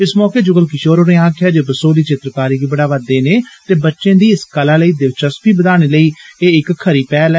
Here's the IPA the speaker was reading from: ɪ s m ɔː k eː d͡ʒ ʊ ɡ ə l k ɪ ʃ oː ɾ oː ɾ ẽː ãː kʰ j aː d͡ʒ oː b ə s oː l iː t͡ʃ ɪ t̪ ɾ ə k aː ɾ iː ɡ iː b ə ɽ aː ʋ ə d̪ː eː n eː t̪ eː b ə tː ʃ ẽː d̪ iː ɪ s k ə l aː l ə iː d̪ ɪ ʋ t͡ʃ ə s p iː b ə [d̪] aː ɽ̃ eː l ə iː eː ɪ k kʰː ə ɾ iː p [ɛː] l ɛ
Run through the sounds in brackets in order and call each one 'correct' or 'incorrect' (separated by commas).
correct, correct